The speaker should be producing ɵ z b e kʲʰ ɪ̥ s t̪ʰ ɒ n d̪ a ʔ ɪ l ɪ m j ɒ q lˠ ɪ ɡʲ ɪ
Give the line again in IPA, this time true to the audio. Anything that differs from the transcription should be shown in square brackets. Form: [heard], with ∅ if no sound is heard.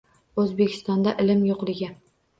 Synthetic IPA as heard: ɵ z b e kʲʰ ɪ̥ s [t̪] ɒ n d̪ a ʔ ɪ l ɪ m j [o] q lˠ ɪ ɡʲ ɪ

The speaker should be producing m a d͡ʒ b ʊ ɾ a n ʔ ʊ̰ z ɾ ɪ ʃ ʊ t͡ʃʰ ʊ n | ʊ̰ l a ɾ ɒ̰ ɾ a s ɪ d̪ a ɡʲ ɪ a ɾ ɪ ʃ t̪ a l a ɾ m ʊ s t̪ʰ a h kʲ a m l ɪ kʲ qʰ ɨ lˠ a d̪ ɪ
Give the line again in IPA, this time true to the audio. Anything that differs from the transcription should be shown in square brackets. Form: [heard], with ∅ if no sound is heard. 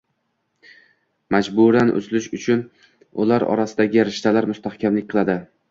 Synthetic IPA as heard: m a d͡ʒ b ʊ ɾ a n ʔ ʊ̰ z [l] ɪ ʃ ʊ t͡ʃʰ ʊ n | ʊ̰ l a ɾ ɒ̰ ɾ a s ɪ d̪ a ɡʲ ɪ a ɾ ɪ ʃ t̪ a l a ɾ m ʊ s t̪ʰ a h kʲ a m l ɪ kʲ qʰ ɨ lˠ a d̪ ɪ

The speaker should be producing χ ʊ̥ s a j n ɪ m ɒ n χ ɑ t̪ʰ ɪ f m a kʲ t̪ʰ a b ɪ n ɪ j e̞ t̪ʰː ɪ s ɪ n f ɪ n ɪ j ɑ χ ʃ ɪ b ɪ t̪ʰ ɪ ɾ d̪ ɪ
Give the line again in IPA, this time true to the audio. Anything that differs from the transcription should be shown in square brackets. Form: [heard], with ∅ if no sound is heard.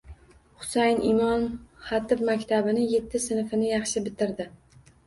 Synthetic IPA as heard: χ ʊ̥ s a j n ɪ m ɒ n χ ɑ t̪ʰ ɪ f m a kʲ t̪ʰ a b ɪ n ɪ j e̞ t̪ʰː ɪ s ɪ n f ɪ n ɪ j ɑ χ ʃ ɪ b ɪ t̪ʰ ɪ ɾ d̪ ɪ

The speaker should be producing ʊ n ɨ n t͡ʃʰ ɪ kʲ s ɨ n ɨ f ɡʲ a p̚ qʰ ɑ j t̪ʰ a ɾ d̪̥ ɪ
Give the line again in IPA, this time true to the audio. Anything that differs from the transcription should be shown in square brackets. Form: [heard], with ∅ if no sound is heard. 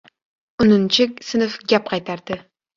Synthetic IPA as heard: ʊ n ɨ n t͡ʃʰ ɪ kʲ s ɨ n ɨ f ɡʲ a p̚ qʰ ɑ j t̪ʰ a ɾ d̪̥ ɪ

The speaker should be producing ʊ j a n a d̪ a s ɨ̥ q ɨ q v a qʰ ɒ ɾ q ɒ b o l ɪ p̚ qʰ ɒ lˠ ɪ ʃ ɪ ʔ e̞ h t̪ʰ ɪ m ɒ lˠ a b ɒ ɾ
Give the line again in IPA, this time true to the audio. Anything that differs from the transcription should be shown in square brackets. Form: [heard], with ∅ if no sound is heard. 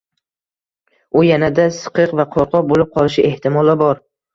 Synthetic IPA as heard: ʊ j a n a d̪ a s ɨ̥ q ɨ q v a qʰ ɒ ɾ q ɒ b o l ɪ p̚ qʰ ɒ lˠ ɪ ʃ ɪ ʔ e̞ h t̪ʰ ɪ m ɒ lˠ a b ɒ ɾ

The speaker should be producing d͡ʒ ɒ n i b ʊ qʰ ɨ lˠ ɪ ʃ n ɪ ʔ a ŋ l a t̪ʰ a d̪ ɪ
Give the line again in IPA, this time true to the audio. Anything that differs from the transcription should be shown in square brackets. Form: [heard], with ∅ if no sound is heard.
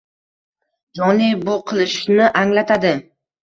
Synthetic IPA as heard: d͡ʒ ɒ n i b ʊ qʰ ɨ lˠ ɪ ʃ n ɪ ʔ a ŋ l a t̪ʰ a d̪ ɪ

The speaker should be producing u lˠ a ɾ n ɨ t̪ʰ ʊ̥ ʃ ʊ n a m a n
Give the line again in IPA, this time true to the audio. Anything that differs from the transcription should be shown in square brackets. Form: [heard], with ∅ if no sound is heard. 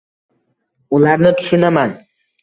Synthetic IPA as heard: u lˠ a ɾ n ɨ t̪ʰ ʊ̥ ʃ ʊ n a m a n

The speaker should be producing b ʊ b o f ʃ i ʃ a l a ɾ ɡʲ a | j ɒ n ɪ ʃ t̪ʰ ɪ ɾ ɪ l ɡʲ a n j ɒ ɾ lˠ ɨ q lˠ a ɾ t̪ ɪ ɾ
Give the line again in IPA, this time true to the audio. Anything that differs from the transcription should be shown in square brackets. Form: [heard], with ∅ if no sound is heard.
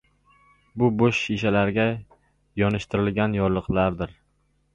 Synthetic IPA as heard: b ʊ b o [ʃ] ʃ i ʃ a l a ɾ ɡʲ a | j ɒ n ɪ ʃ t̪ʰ ɪ ɾ ɪ l ɡʲ a n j ɒ ɾ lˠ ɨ q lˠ a ɾ [d̪] ɪ ɾ

